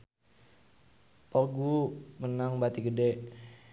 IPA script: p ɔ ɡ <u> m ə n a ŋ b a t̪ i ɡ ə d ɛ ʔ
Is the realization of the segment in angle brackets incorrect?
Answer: no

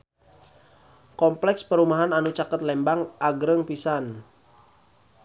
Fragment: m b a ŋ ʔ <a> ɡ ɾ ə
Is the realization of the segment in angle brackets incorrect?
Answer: no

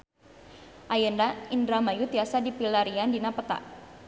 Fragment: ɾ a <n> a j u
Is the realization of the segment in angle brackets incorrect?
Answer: yes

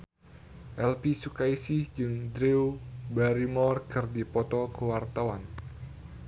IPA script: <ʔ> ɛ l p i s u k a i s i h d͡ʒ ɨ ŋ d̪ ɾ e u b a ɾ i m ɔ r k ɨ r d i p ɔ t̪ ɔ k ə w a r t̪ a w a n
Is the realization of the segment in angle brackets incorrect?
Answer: no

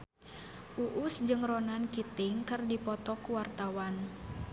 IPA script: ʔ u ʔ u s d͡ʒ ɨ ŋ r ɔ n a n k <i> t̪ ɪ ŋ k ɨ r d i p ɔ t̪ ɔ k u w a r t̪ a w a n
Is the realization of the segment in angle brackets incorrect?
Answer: no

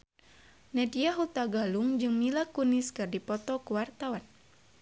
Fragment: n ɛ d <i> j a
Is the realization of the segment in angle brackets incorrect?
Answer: no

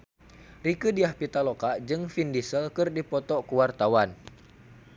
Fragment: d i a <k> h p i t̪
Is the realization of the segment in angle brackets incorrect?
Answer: yes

